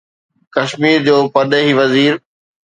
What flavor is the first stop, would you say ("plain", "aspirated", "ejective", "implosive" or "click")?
plain